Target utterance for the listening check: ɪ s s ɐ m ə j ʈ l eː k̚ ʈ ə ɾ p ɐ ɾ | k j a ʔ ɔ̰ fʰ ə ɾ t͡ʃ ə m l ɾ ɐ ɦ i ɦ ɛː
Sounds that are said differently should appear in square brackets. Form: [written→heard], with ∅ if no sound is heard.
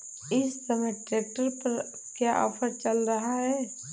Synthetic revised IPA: ɪ s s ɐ m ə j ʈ [l→ɾ] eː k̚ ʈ ə ɾ p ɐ ɾ | k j a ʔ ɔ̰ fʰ ə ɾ t͡ʃ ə [m→∅] l ɾ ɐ ɦ [i→a] ɦ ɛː